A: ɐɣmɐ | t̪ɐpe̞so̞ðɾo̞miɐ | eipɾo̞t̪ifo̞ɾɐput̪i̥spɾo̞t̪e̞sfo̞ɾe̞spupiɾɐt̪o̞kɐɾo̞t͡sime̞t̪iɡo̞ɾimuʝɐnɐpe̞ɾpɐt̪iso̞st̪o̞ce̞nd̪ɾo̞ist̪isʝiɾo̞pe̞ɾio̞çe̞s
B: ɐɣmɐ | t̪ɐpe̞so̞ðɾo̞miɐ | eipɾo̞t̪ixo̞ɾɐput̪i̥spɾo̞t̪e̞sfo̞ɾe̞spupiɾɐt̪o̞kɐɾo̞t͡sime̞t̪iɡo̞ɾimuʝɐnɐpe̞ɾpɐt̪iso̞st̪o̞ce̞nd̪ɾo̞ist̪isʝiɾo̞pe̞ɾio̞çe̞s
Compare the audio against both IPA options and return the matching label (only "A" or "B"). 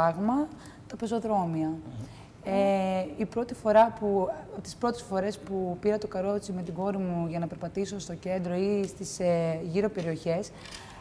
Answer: A